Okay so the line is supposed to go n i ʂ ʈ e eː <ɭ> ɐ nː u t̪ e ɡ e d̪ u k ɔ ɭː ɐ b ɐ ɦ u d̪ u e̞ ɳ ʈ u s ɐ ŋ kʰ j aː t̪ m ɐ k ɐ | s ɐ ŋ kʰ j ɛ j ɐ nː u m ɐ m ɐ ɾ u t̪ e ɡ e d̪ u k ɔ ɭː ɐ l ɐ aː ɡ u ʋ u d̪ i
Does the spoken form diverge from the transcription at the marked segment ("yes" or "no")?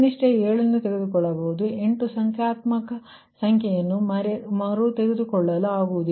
no